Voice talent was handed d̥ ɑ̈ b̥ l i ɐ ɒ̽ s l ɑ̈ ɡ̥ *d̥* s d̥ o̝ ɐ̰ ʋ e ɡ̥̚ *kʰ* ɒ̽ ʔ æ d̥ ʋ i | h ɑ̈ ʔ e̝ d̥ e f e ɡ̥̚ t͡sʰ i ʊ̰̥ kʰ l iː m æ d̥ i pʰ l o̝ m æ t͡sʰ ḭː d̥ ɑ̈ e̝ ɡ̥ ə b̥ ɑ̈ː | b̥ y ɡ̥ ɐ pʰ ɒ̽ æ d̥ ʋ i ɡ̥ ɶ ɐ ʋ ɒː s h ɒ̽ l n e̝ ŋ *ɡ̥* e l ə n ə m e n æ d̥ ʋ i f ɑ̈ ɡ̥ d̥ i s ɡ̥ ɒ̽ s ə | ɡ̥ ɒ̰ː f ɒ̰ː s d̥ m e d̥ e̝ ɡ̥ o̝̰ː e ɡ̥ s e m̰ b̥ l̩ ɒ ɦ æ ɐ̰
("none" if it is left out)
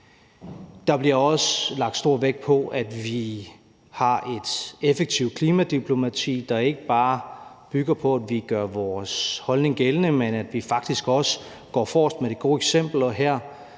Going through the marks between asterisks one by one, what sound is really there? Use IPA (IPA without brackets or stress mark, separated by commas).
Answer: d̥, pʰ, ɡ̥